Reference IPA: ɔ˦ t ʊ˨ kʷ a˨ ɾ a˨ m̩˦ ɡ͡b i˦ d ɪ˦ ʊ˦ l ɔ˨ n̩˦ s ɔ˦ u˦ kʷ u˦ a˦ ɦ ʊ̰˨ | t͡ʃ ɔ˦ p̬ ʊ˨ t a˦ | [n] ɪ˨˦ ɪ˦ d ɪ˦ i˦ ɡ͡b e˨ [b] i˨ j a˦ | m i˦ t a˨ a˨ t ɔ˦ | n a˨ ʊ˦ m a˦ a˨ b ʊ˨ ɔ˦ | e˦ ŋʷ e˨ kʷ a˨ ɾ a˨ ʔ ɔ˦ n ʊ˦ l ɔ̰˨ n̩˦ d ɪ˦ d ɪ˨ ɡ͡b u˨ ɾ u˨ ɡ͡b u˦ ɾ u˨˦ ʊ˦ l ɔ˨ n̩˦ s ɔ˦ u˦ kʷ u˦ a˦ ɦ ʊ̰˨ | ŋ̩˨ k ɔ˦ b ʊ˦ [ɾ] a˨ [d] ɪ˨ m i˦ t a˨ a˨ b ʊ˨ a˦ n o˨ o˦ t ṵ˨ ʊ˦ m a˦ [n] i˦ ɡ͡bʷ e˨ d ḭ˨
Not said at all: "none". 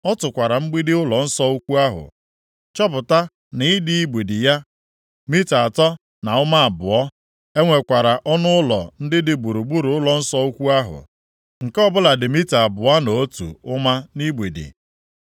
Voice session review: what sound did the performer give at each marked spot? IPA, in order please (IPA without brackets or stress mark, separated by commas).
n, d, l, d, n